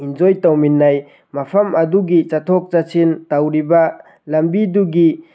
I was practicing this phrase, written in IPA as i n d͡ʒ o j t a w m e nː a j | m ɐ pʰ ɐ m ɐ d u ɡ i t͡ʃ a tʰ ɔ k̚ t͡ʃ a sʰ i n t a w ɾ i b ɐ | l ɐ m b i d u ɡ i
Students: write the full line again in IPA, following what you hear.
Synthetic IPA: i n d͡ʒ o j t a w m i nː a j | m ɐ pʰ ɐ m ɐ d u ɡ i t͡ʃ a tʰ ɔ k̚ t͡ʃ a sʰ i n t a w ɾ i b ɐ | l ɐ m b i d u ɡ i